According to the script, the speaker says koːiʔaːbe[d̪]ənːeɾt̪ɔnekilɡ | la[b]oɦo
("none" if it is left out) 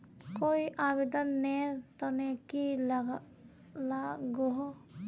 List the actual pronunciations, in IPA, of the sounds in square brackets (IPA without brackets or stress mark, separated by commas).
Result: d̪, ɡ